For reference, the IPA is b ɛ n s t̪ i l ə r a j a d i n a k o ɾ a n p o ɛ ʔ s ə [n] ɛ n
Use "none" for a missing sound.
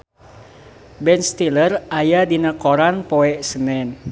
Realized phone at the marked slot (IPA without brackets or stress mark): n